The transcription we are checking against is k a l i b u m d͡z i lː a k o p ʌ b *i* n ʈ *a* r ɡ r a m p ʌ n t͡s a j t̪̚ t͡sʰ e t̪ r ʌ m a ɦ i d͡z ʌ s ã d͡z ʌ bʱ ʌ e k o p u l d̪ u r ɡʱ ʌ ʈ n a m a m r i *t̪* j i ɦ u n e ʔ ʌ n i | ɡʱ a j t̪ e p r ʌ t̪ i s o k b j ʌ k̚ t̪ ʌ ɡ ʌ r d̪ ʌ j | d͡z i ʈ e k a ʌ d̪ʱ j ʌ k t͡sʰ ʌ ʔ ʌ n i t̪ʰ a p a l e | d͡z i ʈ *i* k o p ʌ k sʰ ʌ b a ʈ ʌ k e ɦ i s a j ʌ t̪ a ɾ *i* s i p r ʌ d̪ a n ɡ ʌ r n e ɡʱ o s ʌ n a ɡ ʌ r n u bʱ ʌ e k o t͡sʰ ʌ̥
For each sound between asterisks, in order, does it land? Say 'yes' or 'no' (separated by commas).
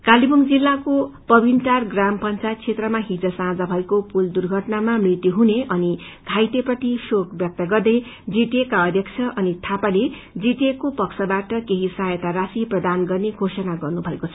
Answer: yes, yes, yes, no, no